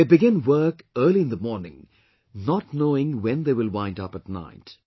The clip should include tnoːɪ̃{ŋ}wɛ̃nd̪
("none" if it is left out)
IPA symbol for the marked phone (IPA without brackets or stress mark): ŋ